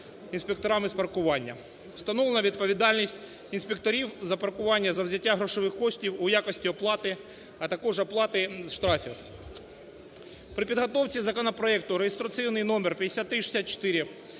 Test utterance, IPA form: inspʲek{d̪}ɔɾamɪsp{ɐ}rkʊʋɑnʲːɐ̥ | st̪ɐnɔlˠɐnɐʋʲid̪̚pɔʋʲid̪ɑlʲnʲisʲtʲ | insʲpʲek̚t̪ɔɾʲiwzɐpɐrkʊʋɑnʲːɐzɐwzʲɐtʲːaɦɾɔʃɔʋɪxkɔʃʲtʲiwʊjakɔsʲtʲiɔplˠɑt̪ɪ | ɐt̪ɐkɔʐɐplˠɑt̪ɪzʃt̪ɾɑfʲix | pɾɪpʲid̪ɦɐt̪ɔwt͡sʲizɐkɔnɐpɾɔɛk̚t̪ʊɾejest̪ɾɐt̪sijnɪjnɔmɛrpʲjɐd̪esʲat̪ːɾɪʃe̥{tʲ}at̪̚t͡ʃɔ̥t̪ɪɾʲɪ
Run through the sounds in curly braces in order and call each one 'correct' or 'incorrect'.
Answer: incorrect, correct, incorrect

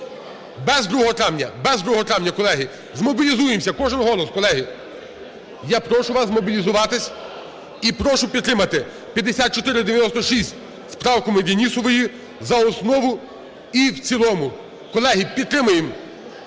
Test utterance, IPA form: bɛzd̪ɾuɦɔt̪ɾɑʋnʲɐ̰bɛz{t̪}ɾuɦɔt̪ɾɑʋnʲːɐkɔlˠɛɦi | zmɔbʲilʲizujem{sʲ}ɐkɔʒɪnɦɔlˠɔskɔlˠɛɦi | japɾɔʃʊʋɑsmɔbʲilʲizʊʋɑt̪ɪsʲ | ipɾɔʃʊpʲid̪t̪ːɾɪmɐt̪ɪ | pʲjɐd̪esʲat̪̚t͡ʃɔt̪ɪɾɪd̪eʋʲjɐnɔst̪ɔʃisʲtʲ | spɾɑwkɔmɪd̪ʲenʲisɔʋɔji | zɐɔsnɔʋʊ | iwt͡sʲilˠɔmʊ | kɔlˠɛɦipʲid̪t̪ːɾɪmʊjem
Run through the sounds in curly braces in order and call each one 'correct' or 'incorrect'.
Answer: incorrect, correct

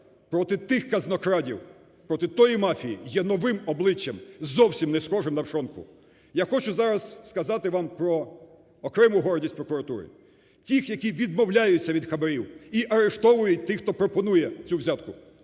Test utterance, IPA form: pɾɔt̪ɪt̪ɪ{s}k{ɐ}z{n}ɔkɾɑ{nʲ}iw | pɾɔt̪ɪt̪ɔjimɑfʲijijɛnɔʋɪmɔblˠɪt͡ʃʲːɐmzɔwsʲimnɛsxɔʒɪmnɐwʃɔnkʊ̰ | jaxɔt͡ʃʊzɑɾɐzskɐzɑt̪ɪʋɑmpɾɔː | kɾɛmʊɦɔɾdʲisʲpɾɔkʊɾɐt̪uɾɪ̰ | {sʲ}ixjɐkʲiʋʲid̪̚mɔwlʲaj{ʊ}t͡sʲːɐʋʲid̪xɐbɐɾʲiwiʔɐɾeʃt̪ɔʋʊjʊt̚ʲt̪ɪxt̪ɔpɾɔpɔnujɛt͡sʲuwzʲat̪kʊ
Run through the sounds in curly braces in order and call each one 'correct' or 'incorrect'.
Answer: incorrect, correct, correct, incorrect, incorrect, correct

